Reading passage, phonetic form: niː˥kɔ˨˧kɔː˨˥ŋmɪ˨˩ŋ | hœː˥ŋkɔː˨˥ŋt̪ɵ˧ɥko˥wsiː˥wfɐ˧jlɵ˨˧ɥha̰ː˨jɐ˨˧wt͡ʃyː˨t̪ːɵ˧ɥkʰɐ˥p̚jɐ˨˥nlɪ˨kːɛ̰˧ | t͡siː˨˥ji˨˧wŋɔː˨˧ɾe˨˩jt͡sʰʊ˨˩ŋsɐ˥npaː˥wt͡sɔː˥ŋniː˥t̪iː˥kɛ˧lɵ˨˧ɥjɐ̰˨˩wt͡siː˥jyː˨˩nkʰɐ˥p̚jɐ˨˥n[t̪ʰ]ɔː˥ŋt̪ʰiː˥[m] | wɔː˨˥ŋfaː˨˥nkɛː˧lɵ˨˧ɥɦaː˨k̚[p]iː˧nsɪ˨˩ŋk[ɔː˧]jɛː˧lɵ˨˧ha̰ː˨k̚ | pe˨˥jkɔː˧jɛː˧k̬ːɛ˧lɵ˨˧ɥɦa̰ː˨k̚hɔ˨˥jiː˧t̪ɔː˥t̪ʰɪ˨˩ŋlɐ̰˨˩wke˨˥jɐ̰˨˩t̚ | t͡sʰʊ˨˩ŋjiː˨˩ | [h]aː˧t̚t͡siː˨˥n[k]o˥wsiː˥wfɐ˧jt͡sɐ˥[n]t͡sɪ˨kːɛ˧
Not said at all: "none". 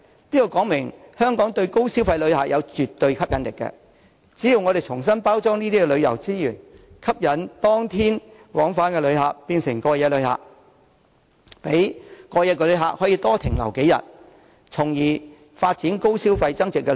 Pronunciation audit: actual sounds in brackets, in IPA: t̪, n, p, ɔː˧, f, k, ŋ

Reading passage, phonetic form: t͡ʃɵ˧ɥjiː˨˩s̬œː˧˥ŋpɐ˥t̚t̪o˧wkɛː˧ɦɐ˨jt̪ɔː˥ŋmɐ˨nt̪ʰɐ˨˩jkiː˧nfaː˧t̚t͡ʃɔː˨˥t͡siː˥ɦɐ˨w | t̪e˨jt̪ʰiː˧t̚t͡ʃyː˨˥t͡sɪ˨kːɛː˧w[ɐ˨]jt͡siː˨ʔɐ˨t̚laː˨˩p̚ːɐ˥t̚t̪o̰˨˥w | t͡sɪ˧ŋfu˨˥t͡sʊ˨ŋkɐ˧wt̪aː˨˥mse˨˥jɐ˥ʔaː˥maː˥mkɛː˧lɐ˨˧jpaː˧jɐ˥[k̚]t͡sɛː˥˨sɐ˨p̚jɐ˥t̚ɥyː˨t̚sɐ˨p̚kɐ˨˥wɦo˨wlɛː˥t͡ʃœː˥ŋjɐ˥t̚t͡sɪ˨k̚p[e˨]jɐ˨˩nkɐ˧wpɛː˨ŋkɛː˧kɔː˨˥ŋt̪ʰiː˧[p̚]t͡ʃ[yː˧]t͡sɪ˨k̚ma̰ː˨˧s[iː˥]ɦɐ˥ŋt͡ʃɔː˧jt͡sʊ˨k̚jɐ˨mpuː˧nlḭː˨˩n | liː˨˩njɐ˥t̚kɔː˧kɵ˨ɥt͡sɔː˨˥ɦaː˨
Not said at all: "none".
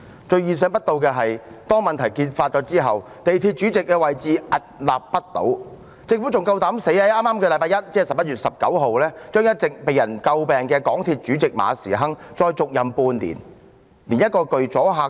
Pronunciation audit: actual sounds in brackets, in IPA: ɐ˨, t̚, e˨, t̚, yː˨˥, iː˨˩

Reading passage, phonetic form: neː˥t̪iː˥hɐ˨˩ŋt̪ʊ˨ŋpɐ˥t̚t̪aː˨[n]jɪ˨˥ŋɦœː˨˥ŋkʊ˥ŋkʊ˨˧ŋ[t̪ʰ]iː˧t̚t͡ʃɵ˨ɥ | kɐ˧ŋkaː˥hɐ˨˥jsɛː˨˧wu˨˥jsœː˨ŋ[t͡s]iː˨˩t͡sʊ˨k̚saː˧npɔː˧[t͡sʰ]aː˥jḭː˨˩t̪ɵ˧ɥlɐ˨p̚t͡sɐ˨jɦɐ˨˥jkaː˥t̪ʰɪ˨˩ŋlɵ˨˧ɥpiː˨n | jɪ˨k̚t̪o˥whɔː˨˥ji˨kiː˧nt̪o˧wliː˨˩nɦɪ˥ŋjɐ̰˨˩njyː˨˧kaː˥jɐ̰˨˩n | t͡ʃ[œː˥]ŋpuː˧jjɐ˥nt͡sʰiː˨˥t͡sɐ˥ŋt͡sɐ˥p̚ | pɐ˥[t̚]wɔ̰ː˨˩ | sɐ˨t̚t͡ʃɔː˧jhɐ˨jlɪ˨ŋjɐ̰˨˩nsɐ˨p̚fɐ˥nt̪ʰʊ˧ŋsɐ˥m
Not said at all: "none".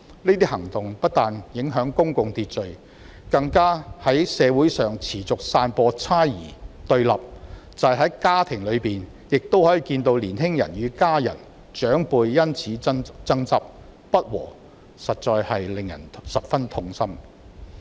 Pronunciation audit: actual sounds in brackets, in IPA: n, t̪, t͡sʰ, t͡sʰ, œː˨˥, t̚

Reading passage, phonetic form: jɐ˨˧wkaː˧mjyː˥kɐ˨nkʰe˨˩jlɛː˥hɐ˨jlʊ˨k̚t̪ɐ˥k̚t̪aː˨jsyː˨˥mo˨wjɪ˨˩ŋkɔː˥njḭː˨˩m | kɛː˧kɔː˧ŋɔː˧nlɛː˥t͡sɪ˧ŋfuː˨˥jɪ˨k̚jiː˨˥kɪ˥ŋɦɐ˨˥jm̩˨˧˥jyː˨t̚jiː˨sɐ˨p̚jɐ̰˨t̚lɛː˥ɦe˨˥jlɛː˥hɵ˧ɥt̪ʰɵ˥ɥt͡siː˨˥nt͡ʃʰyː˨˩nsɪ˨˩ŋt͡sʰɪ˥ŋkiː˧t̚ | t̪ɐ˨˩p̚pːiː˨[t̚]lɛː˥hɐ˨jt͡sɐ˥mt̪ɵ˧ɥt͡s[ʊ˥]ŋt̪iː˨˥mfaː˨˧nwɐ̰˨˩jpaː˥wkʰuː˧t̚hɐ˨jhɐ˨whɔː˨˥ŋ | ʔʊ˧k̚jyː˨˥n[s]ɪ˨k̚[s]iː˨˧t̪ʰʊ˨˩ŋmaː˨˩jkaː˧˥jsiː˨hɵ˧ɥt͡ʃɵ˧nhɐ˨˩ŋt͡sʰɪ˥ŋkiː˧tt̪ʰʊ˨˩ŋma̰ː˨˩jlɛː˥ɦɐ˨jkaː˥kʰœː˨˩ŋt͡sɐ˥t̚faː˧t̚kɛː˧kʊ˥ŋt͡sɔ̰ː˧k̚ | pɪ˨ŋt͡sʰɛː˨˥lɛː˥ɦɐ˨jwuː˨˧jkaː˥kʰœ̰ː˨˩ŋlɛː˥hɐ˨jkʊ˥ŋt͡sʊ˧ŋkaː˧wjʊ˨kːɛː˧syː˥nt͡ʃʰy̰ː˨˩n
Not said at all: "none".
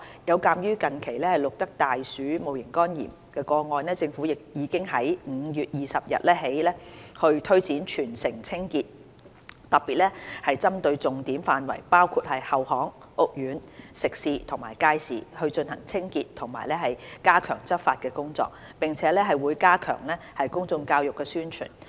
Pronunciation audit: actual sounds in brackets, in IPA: t̚, ʊ˨, s, s

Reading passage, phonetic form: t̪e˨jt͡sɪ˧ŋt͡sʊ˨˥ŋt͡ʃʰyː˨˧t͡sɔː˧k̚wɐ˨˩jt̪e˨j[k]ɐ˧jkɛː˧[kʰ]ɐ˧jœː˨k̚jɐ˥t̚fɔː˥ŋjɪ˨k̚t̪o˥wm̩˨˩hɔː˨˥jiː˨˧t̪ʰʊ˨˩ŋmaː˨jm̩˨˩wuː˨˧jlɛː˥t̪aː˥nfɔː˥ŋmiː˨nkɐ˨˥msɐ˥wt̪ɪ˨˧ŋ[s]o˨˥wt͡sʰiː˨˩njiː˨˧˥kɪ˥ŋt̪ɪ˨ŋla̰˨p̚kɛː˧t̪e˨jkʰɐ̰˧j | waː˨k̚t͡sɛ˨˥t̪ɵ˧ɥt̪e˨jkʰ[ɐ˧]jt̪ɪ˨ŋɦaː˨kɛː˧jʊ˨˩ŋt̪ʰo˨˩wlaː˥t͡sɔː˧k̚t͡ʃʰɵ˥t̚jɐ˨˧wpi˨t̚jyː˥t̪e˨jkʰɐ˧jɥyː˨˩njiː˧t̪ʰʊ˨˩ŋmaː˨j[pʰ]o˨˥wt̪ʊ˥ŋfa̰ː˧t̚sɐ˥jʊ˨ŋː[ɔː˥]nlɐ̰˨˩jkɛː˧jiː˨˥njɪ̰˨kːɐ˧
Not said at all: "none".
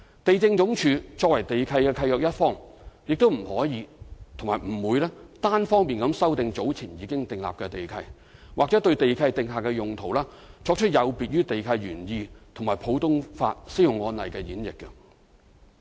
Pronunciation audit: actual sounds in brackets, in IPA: kʰ, kʰ, t͡s, ɐ˧, pʰ, ɔː˧

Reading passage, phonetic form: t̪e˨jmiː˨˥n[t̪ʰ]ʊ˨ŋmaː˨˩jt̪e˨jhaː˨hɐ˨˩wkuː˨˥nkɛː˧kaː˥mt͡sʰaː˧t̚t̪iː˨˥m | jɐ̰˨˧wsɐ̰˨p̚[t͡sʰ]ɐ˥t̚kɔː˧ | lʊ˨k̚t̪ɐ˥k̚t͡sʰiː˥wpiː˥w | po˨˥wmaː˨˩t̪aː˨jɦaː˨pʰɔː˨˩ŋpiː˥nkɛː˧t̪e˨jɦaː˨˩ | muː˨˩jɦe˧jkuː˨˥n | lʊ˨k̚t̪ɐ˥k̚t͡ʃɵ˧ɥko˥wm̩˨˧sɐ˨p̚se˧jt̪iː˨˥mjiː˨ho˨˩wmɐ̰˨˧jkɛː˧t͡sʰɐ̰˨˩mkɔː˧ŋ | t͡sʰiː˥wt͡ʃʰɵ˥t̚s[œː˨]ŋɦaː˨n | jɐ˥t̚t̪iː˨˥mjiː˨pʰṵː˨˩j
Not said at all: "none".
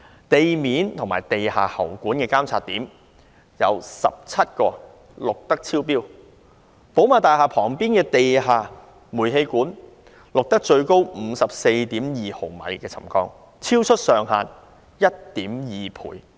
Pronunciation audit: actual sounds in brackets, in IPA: t̪ʰ, t͡sʰ, œː˨

